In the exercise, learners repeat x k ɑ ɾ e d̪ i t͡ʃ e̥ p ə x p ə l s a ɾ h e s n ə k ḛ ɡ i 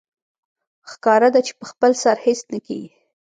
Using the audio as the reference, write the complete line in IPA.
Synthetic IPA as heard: x k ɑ ɾ a d̪ a t͡ʃ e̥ p ə x p ə l s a ɾ h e s n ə k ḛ ɡ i